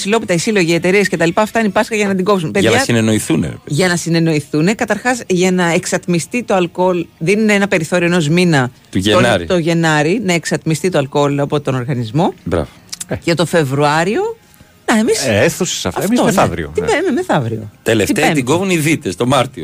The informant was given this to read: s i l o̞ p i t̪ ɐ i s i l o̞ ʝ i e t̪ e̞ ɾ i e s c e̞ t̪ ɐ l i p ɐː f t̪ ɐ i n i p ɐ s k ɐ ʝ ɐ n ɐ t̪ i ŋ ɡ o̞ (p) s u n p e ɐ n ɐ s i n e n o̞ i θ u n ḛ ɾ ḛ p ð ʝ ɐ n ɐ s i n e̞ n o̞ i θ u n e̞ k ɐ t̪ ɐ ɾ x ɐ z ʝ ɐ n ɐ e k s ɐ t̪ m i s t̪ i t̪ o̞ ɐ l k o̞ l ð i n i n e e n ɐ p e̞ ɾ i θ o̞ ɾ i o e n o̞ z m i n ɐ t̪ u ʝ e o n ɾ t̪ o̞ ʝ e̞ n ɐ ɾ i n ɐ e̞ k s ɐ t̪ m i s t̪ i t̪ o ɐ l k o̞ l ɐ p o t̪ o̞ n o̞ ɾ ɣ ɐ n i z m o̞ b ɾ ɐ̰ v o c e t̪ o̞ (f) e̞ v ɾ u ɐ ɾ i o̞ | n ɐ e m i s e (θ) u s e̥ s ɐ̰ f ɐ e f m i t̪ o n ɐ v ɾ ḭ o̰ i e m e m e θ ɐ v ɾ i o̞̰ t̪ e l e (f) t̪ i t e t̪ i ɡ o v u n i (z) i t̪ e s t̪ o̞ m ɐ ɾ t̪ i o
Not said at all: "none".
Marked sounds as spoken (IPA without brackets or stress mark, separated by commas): p, f, θ, f, ð